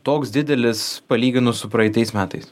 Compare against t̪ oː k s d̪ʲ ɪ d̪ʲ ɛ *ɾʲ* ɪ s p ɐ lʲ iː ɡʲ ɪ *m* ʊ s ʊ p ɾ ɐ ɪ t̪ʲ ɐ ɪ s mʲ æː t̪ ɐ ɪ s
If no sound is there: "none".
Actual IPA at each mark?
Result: lʲ, n

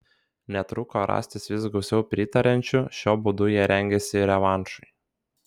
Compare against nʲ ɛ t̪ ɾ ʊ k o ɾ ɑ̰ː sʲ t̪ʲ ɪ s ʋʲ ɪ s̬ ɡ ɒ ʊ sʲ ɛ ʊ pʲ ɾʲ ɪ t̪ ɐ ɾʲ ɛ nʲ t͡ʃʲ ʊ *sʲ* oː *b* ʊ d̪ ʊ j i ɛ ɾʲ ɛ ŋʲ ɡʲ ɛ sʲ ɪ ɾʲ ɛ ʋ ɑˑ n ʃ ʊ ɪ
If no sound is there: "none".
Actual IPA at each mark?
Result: ʃʲ, b

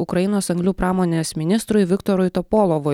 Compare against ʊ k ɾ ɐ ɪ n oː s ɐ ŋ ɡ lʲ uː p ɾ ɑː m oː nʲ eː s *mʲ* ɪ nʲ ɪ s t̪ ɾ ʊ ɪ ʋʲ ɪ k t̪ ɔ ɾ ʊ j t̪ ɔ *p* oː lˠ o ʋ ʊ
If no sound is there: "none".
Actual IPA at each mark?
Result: mʲ, p

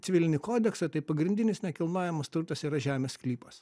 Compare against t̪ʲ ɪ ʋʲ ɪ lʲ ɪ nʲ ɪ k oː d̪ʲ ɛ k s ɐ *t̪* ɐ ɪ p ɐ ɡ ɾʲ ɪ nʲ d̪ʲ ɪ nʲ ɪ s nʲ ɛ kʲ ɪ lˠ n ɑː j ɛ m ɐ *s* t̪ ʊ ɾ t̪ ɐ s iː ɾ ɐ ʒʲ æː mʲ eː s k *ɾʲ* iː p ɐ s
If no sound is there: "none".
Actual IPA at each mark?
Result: t̪, s, lʲ

